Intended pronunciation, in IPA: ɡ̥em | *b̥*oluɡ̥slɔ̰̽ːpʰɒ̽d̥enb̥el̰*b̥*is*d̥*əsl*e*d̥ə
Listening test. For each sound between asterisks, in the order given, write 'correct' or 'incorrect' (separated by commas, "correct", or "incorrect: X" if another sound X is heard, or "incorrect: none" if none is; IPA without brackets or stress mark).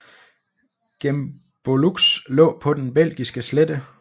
correct, incorrect: ɡ̥, incorrect: ɡ̥, correct